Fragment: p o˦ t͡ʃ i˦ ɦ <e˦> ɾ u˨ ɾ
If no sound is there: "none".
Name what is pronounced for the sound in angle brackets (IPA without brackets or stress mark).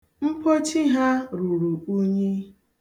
a˦